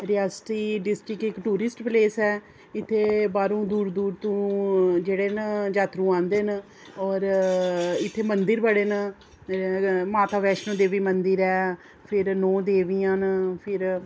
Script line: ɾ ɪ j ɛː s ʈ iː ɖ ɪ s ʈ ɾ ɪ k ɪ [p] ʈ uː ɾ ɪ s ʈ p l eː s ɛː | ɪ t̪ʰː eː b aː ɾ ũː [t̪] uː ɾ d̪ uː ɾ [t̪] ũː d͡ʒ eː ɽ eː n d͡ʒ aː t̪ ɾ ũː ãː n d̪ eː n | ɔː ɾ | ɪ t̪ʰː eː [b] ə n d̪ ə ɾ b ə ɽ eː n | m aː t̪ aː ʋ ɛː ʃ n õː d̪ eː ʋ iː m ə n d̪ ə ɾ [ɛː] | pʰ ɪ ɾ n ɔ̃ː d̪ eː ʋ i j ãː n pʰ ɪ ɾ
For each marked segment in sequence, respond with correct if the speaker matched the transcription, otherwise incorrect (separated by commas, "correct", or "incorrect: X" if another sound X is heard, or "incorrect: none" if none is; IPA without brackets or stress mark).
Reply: incorrect: k, incorrect: d̪, correct, incorrect: m, correct